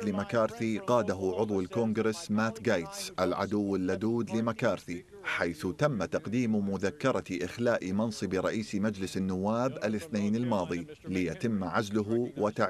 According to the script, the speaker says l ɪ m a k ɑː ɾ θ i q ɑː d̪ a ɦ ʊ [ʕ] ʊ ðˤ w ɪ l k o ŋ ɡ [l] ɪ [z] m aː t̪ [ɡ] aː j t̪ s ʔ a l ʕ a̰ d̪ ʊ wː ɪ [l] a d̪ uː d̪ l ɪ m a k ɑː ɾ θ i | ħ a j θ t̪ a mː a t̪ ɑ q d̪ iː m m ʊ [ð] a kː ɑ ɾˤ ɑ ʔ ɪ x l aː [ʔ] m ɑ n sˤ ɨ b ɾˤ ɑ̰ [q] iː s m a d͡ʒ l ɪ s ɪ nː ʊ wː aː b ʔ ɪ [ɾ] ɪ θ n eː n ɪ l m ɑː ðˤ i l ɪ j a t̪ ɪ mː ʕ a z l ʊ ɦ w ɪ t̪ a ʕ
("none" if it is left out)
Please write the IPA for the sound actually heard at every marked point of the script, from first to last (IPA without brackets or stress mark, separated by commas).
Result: ʕ, ɾ, s, ɡ, lː, ð, ʔ, ʔ, l